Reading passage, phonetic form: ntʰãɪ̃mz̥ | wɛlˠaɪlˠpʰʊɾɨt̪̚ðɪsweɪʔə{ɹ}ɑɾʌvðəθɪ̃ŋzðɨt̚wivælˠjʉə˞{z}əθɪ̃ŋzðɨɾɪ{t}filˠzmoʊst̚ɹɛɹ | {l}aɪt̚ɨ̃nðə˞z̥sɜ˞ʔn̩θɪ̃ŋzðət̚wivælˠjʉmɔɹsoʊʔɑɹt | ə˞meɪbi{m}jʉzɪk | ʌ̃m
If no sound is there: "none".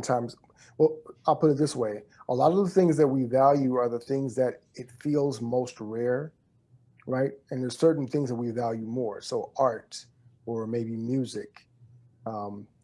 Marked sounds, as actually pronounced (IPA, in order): l, ð, t, ɹ, m

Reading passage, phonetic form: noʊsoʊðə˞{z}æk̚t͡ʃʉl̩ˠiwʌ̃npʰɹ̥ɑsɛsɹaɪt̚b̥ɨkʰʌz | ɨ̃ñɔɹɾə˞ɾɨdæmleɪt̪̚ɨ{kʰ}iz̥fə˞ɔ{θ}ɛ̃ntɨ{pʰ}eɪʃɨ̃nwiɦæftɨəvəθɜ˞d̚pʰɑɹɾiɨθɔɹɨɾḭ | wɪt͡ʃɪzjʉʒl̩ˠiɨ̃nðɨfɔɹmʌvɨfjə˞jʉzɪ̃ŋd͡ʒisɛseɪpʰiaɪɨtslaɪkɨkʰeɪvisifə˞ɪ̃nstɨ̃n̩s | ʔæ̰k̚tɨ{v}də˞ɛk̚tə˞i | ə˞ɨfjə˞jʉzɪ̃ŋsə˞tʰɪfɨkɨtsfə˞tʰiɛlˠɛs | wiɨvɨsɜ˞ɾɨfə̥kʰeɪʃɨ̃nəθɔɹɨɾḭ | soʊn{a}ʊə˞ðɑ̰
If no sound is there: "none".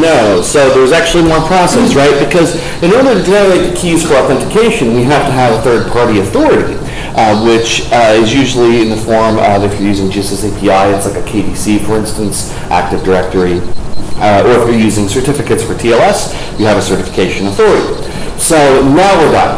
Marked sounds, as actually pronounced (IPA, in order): z, kʰ, θ, kʰ, v, a

